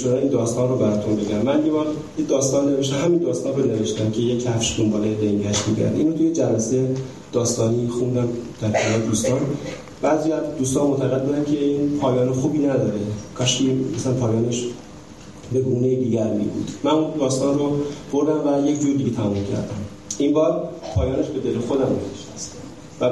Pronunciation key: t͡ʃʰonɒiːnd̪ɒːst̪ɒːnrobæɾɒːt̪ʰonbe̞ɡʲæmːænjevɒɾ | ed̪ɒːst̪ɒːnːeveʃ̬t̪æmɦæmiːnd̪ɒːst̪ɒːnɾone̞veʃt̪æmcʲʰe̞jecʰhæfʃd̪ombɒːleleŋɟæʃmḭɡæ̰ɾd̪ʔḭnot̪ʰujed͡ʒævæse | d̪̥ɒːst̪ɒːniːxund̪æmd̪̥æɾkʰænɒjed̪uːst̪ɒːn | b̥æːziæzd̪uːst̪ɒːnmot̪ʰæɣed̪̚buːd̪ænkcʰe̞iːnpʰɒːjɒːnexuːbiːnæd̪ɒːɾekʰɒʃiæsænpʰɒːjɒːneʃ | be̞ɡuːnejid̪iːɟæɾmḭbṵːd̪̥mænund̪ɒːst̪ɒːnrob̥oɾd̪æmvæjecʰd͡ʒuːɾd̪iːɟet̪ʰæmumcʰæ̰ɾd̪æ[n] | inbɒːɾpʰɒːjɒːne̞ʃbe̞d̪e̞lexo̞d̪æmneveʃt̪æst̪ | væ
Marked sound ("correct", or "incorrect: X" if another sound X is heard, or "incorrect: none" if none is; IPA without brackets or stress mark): incorrect: m